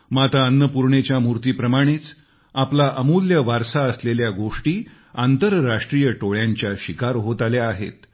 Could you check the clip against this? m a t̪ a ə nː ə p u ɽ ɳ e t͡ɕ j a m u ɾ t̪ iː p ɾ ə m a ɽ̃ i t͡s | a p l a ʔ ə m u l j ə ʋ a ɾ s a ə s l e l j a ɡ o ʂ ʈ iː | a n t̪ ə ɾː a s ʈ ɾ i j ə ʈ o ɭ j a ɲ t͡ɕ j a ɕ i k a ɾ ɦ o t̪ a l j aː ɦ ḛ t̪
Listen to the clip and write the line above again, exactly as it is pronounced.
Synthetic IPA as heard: m a t̪ a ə nː ə p u ɾ ɳ e t͡ɕ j a m u ɾ t̪ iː p ɾ ə m a ɽ̃ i t͡s | a p l a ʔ ə m u l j ə ʋ a ɾ s a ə s l e l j a ɡ o ʂ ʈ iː | a n t̪ ə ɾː a ʂ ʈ ɾ i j ə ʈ o ɭ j a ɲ t͡ɕ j a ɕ i k a ɾ ɦ o t̪ a l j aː ɦ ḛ t̪